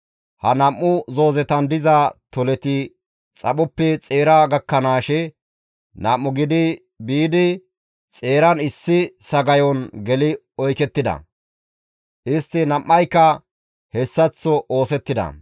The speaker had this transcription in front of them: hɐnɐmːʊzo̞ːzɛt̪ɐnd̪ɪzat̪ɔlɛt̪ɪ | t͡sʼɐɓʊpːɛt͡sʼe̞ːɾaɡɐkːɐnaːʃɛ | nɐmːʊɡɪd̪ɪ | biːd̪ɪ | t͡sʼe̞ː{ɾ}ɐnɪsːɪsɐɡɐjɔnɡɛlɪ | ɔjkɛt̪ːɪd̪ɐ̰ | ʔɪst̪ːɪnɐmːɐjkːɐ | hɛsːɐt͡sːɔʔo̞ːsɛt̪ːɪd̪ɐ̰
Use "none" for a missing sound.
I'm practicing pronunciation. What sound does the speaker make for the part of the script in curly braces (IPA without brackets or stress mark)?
ɾ